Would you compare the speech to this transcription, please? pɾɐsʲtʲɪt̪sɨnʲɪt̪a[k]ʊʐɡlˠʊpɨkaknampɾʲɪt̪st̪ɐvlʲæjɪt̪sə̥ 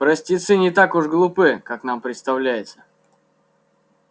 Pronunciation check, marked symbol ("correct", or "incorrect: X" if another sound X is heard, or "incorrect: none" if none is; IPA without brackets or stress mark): correct